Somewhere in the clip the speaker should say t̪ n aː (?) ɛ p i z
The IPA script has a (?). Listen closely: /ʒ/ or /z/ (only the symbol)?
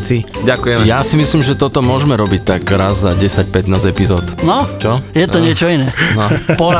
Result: z